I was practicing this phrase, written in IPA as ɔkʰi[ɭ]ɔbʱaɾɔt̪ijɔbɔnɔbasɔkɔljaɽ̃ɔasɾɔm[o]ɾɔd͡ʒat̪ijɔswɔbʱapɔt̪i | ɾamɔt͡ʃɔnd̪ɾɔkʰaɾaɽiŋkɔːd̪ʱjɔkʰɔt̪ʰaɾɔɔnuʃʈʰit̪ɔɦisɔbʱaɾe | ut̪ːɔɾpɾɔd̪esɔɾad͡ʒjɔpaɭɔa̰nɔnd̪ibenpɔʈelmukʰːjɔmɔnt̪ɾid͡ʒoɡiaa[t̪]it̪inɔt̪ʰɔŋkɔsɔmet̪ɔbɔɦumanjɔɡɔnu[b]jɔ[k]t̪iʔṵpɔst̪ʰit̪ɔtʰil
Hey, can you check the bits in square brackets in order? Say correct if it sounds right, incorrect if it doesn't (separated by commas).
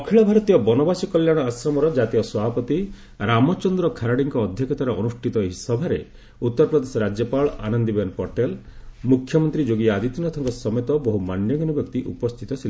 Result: correct, incorrect, incorrect, correct, correct